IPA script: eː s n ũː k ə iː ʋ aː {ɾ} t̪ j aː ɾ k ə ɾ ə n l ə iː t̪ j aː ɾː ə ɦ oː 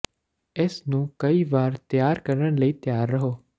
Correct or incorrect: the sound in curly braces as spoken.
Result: correct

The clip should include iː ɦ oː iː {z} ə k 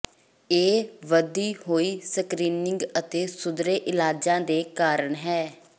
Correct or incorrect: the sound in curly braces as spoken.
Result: incorrect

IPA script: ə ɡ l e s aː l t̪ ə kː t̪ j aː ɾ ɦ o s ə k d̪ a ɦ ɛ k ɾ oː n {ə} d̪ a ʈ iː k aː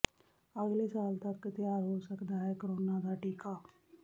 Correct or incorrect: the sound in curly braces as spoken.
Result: incorrect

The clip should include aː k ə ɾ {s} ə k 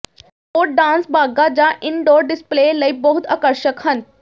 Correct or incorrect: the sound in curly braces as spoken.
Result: incorrect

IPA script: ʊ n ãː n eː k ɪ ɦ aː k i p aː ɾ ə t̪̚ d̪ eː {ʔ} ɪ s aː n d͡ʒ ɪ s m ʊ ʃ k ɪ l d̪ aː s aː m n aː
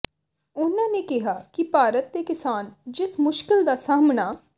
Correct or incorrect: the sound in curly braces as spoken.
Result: incorrect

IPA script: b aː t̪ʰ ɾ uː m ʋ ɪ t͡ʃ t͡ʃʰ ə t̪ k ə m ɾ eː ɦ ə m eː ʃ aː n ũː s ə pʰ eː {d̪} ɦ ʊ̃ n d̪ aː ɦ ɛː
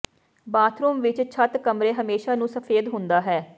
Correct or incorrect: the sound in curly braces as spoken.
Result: correct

